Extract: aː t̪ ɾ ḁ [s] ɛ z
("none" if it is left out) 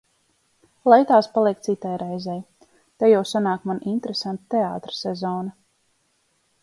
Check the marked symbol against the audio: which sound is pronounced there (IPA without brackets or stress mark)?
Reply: s